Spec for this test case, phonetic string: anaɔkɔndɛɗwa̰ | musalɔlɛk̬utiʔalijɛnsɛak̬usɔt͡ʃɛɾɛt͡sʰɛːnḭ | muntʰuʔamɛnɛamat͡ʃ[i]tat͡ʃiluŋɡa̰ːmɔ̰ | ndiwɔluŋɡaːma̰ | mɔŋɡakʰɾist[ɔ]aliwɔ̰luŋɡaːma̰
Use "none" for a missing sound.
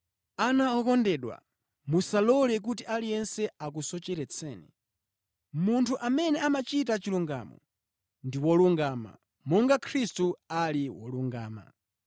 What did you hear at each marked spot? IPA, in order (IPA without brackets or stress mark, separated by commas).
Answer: i, u